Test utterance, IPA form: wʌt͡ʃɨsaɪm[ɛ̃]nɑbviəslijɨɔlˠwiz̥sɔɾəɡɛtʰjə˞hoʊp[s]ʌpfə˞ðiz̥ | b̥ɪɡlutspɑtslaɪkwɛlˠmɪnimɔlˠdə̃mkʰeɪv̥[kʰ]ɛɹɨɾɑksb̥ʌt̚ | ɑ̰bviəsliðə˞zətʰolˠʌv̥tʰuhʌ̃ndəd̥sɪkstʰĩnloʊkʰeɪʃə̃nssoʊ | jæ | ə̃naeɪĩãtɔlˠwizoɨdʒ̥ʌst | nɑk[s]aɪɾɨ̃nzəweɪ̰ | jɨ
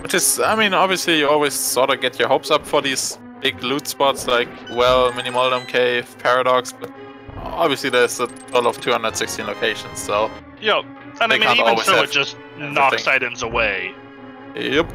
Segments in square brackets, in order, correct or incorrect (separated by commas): incorrect, correct, incorrect, correct